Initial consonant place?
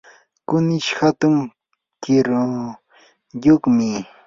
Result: velar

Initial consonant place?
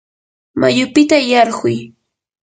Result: labial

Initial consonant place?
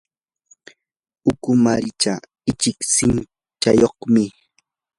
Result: velar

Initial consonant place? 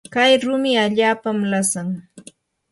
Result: velar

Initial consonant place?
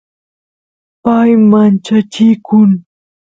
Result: labial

